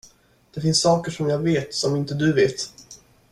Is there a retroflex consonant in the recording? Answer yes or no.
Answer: yes